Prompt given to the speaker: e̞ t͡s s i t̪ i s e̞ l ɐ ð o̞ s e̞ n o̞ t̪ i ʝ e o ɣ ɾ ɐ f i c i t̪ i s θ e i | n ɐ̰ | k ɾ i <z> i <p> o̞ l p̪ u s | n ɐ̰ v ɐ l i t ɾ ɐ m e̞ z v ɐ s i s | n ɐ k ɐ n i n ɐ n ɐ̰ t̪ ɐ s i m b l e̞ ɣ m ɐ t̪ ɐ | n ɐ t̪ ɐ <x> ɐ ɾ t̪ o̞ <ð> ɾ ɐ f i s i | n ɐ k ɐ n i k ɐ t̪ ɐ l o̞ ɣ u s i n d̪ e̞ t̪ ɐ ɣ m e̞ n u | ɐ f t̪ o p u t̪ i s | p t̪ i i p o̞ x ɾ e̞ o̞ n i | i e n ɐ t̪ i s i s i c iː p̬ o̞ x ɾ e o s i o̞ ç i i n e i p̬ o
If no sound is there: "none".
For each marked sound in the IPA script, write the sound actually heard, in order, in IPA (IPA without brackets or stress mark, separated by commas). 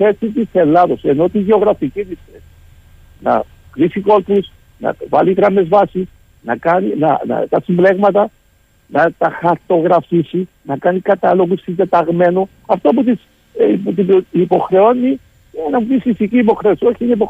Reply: s, k, x, ɣ